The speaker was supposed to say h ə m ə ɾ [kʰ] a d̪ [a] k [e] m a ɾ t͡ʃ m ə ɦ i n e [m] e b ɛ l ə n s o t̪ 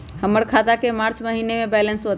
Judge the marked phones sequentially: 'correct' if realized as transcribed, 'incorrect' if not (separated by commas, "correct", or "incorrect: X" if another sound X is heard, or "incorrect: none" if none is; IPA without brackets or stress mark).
correct, correct, correct, correct